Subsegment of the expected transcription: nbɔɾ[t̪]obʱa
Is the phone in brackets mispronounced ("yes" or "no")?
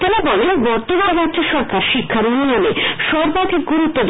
no